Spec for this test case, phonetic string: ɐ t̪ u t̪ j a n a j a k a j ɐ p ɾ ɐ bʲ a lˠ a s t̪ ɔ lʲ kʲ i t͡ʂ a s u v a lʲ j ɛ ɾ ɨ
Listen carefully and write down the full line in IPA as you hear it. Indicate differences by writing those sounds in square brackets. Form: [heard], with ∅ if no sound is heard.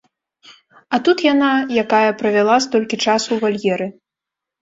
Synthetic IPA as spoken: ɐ t̪ u t̪ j a n a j a k a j ɐ p ɾ ɐ [vʲ] a lˠ a s t̪ ɔ lʲ kʲ i t͡ʂ a s u v a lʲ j ɛ ɾ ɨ